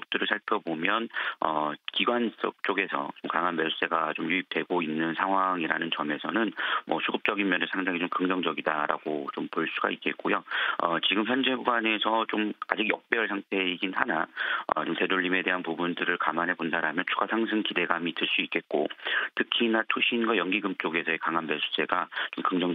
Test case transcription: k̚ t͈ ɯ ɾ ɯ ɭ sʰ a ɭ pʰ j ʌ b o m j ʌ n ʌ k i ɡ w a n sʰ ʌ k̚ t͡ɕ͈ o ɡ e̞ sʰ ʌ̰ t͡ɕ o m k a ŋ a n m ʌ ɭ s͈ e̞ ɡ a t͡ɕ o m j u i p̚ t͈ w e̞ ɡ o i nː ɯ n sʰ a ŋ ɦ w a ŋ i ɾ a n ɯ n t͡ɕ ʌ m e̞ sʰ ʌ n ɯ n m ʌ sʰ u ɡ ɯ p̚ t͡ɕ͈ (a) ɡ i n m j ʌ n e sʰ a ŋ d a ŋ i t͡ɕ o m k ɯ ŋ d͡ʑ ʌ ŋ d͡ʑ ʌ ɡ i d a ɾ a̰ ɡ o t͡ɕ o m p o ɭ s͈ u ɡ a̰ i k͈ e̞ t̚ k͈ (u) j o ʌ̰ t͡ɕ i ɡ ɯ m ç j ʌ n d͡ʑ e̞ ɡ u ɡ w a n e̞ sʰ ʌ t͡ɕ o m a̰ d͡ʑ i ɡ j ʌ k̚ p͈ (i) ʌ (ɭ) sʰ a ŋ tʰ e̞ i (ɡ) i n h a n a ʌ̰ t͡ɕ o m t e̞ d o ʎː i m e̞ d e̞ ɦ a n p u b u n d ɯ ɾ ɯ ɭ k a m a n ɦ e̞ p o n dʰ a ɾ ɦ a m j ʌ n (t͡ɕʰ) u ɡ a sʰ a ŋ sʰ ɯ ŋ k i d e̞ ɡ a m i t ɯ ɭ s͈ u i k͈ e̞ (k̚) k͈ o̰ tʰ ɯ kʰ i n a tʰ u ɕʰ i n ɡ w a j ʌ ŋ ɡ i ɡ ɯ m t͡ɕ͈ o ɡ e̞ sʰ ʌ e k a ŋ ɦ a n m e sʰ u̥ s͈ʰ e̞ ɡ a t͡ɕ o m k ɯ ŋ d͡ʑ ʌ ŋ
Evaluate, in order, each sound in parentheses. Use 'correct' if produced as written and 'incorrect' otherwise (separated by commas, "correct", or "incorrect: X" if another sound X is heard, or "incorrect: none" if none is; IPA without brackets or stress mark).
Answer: incorrect: ʌ, incorrect: o, incorrect: e, correct, correct, correct, incorrect: t̚